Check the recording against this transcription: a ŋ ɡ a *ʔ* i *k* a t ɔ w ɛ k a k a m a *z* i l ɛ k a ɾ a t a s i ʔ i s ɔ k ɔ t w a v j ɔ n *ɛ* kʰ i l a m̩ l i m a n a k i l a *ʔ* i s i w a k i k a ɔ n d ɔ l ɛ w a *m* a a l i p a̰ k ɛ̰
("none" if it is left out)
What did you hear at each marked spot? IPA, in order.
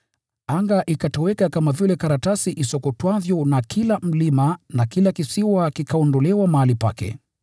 ʔ, k, v, a, k, m

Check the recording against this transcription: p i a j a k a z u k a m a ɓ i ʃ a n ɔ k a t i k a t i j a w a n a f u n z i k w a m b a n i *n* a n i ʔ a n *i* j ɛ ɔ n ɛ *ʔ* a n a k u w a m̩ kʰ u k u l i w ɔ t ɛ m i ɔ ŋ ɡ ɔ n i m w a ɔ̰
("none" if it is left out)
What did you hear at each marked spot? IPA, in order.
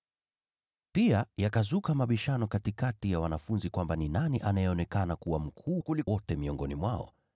n, a, k

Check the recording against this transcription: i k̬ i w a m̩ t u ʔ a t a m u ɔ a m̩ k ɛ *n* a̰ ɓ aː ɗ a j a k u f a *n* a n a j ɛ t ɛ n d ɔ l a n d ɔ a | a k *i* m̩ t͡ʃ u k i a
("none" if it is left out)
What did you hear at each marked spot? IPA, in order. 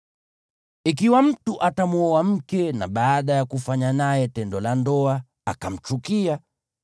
n, ɲ, a

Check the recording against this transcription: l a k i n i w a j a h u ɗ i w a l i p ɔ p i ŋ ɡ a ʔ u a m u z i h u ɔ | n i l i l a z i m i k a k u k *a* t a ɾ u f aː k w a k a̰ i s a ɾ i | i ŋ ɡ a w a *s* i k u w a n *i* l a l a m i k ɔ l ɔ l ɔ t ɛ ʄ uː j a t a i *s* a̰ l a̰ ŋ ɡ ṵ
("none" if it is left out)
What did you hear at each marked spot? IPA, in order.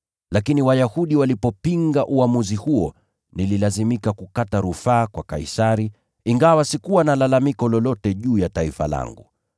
a, s, a, f

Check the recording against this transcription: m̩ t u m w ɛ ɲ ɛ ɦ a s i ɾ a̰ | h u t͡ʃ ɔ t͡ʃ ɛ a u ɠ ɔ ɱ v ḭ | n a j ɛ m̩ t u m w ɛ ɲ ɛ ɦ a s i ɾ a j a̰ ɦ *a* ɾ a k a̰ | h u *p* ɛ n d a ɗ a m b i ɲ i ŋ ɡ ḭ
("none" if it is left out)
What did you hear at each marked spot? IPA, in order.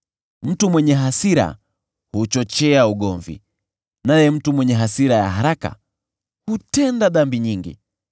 a, t

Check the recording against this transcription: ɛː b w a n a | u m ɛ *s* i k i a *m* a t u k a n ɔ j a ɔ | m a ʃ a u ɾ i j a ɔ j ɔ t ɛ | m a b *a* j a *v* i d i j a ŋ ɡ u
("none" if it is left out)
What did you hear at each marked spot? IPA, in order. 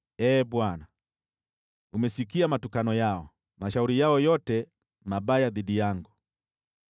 s, m, a, ð

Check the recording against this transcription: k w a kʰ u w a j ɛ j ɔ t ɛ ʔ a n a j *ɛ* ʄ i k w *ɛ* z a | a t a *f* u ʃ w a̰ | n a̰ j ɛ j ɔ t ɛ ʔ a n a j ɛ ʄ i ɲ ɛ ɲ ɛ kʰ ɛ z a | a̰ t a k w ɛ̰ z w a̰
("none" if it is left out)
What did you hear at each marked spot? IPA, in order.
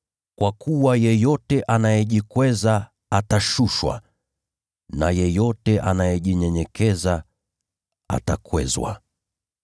ɛ, ɛ, ʃ

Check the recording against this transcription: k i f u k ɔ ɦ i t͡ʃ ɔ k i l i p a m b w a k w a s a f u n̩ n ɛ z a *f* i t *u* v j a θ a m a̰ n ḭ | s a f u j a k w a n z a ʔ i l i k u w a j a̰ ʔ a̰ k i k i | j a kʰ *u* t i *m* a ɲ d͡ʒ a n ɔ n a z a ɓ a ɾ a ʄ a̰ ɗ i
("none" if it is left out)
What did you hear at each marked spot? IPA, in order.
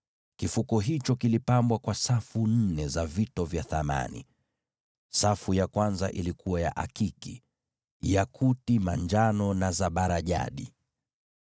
v, ɔ, u, m

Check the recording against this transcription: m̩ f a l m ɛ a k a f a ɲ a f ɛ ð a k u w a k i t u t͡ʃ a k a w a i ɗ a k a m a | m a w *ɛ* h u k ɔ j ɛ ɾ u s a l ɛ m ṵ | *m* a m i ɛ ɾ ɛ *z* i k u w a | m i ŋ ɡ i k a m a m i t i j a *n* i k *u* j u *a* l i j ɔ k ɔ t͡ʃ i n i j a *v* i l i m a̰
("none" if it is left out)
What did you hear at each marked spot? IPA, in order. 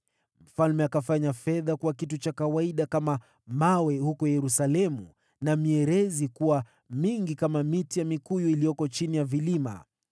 ɛ, n, z, m, u, i, v

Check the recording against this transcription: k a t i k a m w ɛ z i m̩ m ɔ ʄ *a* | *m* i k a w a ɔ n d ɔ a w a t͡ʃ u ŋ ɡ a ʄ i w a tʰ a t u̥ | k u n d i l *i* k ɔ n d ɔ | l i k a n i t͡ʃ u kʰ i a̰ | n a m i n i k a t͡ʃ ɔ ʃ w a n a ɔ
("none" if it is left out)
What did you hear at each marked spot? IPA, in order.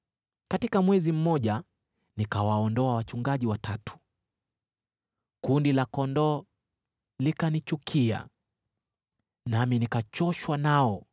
a, n, a

